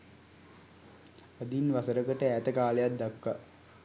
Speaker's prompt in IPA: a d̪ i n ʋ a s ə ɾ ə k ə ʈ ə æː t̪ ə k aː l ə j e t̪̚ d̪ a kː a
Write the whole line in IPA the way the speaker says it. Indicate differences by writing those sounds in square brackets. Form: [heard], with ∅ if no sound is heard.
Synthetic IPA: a d̪ i n ʋ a s ə ɾ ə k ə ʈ ə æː t̪ ə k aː l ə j [a] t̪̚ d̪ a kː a